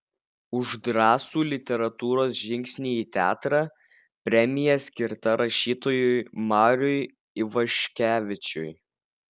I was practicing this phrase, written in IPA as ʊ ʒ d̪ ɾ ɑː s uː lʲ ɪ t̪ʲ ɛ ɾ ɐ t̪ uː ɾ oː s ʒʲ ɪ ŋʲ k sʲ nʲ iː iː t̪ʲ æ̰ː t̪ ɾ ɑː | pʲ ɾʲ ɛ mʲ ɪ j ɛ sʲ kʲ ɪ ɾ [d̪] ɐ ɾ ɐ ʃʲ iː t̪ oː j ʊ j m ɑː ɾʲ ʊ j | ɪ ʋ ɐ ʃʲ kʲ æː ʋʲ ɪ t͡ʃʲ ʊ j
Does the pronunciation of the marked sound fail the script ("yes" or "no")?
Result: yes